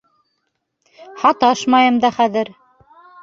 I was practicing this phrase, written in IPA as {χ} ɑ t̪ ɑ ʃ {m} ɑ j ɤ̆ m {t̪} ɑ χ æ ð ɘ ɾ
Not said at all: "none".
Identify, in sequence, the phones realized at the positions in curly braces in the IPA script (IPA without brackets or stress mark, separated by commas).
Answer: h, m, d̪